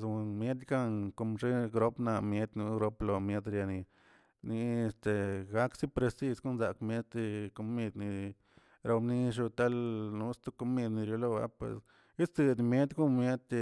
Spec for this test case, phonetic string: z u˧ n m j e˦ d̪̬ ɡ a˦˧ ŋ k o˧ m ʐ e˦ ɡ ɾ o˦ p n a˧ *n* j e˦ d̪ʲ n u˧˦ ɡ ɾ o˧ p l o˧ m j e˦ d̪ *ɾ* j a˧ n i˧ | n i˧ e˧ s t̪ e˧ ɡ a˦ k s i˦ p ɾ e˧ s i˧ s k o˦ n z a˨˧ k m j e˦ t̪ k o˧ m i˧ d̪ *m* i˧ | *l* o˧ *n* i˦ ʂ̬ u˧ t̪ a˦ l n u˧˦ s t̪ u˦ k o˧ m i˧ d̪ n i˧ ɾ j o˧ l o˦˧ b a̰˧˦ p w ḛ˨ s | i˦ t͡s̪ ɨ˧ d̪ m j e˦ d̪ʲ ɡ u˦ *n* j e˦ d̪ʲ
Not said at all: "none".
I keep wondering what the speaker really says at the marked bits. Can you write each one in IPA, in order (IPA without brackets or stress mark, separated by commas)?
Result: m, ɾ, n, ɾ, n, m